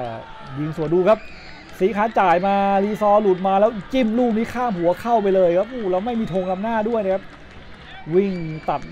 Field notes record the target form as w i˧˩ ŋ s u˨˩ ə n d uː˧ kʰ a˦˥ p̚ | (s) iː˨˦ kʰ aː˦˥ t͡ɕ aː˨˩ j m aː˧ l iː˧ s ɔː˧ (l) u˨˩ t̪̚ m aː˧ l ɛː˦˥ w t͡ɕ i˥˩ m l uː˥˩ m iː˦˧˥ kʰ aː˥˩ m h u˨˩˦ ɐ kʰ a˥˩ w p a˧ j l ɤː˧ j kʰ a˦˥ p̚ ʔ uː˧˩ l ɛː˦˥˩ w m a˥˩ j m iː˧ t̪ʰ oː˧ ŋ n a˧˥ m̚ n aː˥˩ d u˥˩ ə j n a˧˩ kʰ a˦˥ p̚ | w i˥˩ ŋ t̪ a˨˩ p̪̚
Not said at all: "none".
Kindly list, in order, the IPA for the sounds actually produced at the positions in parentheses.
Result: s, l

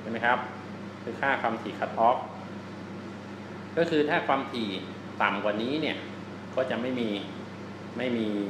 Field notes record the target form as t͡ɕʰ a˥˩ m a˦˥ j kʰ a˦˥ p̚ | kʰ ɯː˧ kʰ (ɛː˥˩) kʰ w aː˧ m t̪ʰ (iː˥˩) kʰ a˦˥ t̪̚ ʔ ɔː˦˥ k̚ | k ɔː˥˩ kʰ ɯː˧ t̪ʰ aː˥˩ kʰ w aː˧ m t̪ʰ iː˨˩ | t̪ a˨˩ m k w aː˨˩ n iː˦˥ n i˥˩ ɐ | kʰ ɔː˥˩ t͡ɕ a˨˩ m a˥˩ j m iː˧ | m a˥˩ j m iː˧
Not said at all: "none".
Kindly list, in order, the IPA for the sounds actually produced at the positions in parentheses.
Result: aː˥˩, iː˨˩

